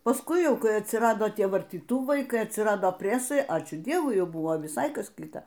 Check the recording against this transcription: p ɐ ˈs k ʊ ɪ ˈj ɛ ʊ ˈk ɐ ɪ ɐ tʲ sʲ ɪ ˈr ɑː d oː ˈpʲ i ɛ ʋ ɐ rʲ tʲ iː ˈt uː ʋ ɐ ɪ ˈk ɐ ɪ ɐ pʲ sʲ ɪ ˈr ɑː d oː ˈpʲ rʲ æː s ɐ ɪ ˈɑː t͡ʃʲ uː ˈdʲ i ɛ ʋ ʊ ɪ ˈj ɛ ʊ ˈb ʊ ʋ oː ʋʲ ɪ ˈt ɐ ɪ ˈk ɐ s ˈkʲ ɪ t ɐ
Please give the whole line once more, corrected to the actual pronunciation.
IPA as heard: p ɐ ˈs k ʊ ɪ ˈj ɛ ʊ ˈk ɐ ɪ ɐ tʲ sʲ ɪ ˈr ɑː d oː ˈtʲ i ɛ ʋ ɐ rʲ tʲ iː ˈt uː ʋ ɐ ɪ ˈk ɐ ɪ ɐ tʲ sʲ ɪ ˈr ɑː d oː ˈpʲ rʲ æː s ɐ ɪ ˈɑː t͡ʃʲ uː ˈdʲ i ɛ ʋ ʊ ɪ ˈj ɛ ʊ ˈb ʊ ʋ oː ʋʲ ɪ ˈs ɐ ɪ ˈk ɐ s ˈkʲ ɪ t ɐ